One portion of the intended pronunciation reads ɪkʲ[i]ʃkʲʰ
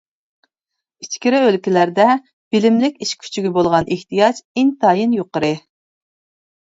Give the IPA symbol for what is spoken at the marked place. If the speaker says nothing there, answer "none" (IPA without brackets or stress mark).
i